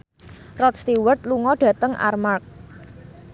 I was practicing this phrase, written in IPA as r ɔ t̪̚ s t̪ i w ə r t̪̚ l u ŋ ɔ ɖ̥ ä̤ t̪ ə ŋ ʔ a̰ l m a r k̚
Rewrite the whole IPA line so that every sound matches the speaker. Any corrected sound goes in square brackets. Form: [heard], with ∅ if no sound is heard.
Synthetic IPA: r ɔ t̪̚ s t̪ i w ə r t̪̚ l u ŋ ɔ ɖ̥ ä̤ t̪ ə ŋ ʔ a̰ [r] m a r k̚